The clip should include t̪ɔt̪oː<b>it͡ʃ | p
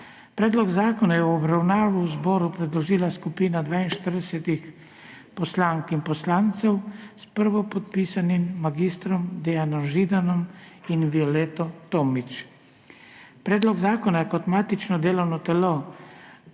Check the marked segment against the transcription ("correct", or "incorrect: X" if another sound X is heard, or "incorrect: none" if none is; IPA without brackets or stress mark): incorrect: m